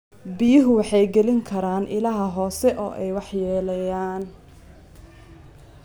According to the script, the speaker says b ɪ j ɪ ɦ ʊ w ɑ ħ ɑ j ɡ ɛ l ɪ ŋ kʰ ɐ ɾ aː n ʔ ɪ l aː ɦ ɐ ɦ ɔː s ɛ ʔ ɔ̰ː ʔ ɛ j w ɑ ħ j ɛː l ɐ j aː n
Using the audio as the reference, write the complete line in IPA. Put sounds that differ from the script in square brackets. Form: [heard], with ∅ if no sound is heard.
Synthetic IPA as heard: b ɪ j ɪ ɦ ʊ w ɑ ħ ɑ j ɡ ɛ l ɪ ŋ kʰ ɐ ɾ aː n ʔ ɪ l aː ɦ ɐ ɦ ɔː s ɛ ʔ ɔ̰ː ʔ ɛ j w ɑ ħ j ɛː l ɐ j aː n